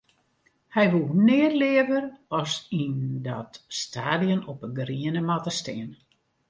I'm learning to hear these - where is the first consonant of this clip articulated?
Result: throat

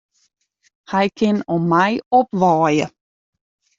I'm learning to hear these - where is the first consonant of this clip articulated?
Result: throat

